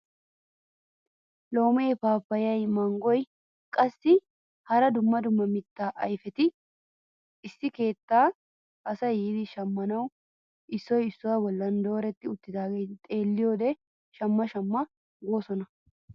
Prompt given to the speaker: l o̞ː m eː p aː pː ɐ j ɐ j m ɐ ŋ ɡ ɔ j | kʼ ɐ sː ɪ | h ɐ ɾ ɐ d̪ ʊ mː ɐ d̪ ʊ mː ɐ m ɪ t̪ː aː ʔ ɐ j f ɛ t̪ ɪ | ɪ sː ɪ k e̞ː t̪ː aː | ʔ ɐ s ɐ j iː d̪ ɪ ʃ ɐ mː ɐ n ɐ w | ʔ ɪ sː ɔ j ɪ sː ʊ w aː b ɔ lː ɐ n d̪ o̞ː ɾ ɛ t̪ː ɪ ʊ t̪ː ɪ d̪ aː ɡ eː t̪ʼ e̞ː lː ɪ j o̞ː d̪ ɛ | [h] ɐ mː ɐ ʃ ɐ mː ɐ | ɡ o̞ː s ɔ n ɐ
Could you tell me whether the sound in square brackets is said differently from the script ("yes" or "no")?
yes